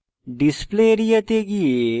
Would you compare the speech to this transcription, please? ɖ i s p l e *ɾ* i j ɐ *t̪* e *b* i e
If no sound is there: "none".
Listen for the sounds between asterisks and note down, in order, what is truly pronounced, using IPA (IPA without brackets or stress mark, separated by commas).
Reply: ɾ, t̪, ɡ